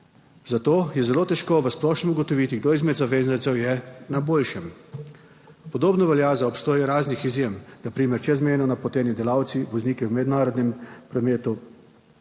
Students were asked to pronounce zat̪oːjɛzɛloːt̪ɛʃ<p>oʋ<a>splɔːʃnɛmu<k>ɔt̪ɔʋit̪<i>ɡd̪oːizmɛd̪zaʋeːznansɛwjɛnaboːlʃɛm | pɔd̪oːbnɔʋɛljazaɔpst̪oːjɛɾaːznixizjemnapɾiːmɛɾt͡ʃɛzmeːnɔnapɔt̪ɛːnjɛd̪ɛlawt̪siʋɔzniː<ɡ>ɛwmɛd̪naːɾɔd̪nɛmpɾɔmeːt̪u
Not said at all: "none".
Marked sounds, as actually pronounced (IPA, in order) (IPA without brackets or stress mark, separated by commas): k, ə, ɡ, i, k